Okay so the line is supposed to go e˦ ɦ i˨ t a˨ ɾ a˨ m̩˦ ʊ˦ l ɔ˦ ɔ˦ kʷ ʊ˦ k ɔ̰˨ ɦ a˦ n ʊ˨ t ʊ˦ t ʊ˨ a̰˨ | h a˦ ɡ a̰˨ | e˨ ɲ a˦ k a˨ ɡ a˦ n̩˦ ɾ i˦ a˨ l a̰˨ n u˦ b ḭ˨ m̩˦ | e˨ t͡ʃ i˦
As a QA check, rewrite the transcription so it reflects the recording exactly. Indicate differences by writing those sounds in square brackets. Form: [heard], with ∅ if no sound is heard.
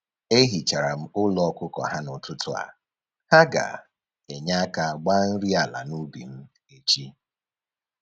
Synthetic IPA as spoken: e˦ ɦ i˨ [t͡ʃ] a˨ ɾ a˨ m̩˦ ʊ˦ l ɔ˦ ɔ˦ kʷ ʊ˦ k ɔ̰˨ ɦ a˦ n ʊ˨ t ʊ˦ t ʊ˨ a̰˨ | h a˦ ɡ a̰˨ | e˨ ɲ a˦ k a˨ [ɡ͡b] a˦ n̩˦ ɾ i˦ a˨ l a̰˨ n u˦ b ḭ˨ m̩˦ | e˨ t͡ʃ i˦